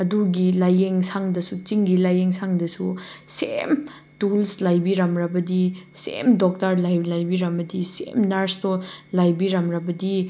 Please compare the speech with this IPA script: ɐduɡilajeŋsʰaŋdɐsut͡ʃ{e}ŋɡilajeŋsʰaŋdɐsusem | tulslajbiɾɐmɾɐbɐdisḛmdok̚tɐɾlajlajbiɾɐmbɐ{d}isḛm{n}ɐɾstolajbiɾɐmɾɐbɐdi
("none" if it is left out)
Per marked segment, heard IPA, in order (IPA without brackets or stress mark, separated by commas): i, d, n